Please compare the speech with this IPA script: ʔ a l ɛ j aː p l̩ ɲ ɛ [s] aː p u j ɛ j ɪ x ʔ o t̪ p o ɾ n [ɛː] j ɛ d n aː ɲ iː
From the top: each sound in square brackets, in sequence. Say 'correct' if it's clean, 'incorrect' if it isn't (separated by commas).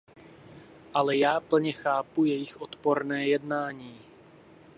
incorrect, correct